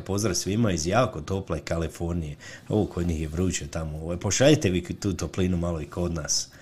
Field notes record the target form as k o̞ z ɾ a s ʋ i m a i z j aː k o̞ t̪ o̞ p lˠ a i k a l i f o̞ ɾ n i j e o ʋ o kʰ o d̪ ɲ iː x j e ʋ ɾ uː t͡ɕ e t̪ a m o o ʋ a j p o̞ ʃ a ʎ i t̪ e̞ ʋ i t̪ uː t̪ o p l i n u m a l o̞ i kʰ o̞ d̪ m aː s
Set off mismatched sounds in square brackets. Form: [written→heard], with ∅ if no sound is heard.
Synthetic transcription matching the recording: [k→p] o̞ z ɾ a s ʋ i m a i z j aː k o̞ t̪ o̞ p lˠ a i k a l i f o̞ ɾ n i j e o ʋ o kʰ o d̪ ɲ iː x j e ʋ ɾ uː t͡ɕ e t̪ a m o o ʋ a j p o̞ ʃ a ʎ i t̪ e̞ ʋ i t̪ uː t̪ o p l i n u m a l o̞ i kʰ o̞ d̪ [m→n] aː s